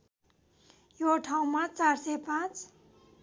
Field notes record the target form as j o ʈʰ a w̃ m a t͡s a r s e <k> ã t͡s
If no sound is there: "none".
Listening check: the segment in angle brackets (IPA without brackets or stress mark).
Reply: p